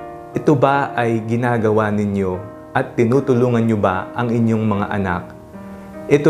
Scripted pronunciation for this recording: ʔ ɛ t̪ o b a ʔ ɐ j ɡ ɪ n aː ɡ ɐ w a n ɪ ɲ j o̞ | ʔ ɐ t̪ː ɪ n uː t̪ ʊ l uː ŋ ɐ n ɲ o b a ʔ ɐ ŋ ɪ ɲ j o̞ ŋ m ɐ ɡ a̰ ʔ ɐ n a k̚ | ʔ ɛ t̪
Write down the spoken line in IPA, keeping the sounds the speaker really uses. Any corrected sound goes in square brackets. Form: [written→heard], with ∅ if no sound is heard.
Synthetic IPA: ʔ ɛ t̪ o b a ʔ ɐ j ɡ ɪ n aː ɡ ɐ w a n ɪ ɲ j o̞ | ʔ ɐ t̪ː ɪ n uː t̪ ʊ l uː ŋ ɐ n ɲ o b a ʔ ɐ ŋ ɪ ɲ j o̞ ŋ m ɐ [ɡ→ŋ] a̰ ʔ ɐ n a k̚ | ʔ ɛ t̪